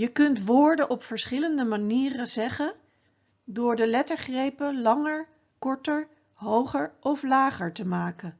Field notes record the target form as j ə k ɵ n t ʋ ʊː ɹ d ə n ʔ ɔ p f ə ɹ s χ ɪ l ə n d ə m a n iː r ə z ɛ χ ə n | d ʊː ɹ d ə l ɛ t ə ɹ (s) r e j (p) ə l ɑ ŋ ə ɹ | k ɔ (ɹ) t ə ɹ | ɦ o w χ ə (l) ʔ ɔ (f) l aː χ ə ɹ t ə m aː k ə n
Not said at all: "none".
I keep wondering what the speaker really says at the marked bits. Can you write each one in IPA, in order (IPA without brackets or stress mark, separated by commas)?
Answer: χ, p, ɹ, ɹ, f